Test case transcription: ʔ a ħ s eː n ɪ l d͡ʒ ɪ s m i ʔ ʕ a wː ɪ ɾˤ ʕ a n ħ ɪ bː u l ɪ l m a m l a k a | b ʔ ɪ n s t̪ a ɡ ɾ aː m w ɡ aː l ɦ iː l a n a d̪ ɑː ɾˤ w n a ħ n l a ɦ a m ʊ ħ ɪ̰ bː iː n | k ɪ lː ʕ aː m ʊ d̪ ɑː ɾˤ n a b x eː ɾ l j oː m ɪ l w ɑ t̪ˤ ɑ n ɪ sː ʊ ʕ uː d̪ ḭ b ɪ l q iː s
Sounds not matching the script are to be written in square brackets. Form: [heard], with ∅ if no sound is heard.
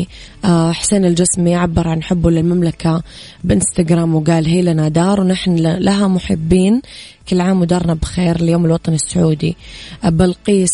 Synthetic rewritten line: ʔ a ħ s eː n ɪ l d͡ʒ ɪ s m i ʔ ʕ a [bː] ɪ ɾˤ ʕ a n ħ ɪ bː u l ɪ l m a m l a k a | b ʔ ɪ n s t̪ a ɡ ɾ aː m w ɡ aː l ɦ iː l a n a d̪ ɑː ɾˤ w n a ħ n l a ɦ a m ʊ ħ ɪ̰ bː iː n | k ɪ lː ʕ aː m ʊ d̪ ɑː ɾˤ n a b x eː ɾ l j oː m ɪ l w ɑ t̪ˤ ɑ n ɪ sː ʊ ʕ uː d̪ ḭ b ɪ l q iː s